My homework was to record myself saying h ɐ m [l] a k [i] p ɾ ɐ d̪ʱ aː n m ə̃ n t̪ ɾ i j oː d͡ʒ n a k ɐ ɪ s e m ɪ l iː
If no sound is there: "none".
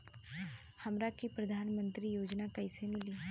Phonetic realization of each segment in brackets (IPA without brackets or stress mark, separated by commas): ɾ, i